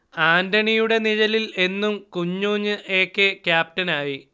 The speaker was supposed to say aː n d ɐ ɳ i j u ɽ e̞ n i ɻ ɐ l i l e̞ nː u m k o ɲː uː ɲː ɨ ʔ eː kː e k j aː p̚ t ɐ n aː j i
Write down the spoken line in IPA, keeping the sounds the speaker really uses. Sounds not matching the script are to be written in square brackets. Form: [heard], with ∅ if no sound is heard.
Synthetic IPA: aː n d ɐ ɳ i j u ɽ e̞ n i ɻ ɐ l i l e̞ nː u m k [u] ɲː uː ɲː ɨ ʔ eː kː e k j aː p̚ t ɐ n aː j i